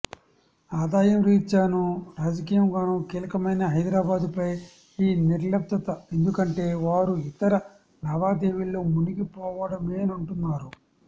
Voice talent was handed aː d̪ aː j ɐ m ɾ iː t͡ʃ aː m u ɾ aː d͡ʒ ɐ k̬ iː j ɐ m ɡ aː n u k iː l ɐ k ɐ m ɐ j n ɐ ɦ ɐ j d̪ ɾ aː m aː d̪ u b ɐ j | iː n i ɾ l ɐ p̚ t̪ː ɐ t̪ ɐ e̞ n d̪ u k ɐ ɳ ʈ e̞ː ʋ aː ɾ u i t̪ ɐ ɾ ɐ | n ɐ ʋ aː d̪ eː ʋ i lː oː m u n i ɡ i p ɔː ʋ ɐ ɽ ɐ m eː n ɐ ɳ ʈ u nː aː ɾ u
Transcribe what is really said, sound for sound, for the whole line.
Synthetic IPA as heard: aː d̪ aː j ɐ m ɾ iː t͡ʃ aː n u ɾ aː d͡ʒ ɐ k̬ iː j ɐ m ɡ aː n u k iː l ɐ k ɐ m ɐ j n ɐ ɦ ɐ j d̪ ɾ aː b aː d̪ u p ɐ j | iː n i ɾ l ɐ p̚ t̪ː ɐ t̪ ɐ e̞ n d̪ u k ɐ ɳ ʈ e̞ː ʋ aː ɾ u i t̪ ɐ ɾ ɐ | n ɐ ʋ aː d̪ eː ʋ i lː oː m u n i ɡ i p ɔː ʋ ɐ ɽ ɐ m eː n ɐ ɳ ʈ u nː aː ɾ u